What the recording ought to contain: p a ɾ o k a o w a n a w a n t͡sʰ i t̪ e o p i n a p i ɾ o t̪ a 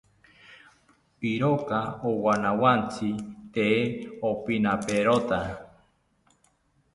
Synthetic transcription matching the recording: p i ɾ o k a o w a n a w a n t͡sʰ i t̪ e o p i n a p e ɾ o t̪ a